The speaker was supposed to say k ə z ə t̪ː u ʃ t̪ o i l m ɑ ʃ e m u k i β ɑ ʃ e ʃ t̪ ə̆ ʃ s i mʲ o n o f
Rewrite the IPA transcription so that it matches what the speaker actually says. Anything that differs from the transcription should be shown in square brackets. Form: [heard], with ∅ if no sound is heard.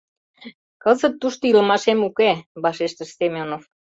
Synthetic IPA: k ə z ə t̪ː u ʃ t̪ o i l m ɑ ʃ e m u k [e] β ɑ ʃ e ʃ t̪ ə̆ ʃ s [e] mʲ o n o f